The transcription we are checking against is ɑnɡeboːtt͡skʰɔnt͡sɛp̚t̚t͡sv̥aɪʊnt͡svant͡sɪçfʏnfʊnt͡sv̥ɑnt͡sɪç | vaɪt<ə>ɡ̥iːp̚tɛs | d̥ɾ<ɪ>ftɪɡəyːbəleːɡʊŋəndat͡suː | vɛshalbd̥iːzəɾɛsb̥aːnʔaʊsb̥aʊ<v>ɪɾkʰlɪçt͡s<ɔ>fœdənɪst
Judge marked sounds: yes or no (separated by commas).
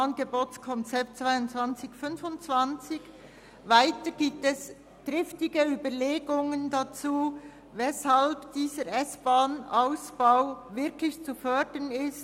yes, yes, yes, no